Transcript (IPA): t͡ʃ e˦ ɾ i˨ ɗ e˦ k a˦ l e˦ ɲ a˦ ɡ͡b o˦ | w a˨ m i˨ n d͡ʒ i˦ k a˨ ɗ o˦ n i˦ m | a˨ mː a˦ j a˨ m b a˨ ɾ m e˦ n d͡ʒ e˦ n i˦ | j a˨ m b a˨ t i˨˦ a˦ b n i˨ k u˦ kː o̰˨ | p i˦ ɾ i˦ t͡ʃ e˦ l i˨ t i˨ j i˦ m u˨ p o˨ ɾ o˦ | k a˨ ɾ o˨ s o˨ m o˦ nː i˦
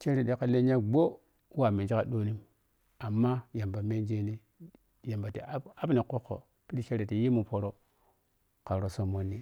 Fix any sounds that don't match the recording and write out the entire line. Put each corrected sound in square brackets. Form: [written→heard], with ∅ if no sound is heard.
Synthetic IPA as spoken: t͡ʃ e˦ ɾ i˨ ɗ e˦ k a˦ l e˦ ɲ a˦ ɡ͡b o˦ | w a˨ m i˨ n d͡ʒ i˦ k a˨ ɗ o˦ n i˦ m | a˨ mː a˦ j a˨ m b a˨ [ɾ→∅] m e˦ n d͡ʒ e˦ n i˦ | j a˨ m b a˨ t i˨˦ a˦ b n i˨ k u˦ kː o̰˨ | p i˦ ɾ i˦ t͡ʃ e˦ [l→ɾ] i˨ t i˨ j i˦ m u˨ p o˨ ɾ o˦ | k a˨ ɾ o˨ s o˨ m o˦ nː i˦